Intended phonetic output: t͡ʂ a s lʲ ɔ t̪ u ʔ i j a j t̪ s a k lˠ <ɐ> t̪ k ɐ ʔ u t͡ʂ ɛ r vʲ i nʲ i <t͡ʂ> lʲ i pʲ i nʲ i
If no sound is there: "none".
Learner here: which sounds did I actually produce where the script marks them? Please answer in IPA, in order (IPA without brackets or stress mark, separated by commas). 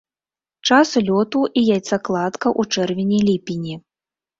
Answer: a, none